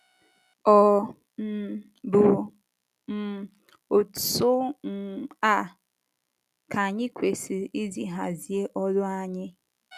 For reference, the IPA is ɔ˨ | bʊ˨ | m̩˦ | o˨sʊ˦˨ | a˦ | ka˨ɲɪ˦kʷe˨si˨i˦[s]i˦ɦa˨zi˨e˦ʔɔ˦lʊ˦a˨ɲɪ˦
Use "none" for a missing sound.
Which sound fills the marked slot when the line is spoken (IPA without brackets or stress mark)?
z